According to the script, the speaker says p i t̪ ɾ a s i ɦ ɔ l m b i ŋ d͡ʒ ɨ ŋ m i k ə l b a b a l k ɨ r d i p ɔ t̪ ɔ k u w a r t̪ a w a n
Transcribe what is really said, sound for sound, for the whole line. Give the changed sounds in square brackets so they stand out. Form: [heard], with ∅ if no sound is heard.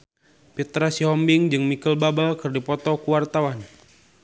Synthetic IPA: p i t̪ ɾ a s i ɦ ɔ [∅] m b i ŋ d͡ʒ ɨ ŋ m i k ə l b a b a l k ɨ r d i p ɔ t̪ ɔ k u w a r t̪ a w a n